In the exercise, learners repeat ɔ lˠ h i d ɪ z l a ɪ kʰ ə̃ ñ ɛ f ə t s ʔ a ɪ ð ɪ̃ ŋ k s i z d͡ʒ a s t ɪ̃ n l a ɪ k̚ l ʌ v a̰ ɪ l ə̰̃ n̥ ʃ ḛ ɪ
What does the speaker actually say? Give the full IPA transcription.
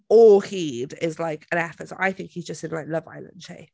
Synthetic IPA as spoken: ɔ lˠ h i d ɪ z l a ɪ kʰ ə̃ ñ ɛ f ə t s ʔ a ɪ θ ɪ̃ ŋ k h i z d͡ʒ ʌ s t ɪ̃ n l a ɪ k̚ l ʌ v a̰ ɪ l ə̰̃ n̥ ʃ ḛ ɪ